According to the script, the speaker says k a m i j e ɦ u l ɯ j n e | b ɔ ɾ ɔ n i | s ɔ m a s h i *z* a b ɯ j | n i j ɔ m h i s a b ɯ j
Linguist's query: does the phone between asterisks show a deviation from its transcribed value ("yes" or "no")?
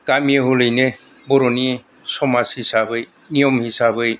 yes